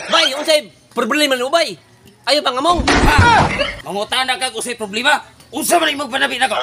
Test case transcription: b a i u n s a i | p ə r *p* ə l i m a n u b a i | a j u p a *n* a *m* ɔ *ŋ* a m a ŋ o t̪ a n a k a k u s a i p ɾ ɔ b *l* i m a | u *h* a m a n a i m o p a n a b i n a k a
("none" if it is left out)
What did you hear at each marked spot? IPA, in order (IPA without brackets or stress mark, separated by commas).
b, ŋ, m, ŋ, l, s